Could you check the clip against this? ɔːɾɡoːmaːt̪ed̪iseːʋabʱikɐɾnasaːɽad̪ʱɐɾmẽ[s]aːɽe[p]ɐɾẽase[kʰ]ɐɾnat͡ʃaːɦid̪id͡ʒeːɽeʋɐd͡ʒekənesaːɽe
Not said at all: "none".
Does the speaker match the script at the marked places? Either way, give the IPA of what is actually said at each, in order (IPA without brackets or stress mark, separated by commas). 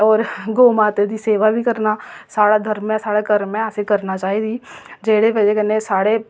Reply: s, k, k